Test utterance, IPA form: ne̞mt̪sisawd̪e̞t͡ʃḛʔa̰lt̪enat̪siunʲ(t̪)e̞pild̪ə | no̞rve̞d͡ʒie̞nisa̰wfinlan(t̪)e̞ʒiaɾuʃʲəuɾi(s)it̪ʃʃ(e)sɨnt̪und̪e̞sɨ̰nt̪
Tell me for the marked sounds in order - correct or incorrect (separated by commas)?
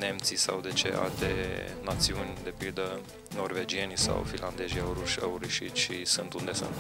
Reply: incorrect, incorrect, incorrect, incorrect